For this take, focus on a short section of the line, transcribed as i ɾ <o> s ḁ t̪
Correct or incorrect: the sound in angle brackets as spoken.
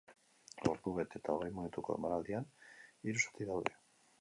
incorrect: u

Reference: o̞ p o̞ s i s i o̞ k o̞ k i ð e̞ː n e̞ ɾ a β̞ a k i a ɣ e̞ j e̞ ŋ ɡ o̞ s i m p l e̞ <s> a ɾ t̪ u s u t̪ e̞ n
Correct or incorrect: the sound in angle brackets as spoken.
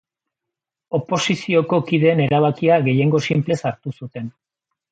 correct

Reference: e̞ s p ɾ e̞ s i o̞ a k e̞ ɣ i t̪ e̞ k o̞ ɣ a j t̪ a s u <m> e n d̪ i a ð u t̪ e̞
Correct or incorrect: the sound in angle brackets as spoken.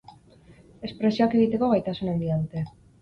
incorrect: n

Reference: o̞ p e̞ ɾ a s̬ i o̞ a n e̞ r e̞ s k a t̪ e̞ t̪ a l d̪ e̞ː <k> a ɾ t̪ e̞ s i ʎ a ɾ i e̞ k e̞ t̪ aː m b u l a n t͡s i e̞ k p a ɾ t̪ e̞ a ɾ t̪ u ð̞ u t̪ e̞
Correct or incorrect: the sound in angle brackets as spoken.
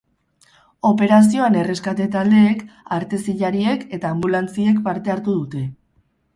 correct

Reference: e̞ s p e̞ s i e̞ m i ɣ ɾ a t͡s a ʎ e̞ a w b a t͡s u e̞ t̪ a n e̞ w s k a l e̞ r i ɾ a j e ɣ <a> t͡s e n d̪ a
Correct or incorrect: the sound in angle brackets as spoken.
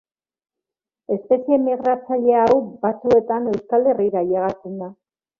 correct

